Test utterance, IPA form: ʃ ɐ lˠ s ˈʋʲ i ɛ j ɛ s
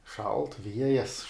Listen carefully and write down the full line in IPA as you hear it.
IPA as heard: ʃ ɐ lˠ t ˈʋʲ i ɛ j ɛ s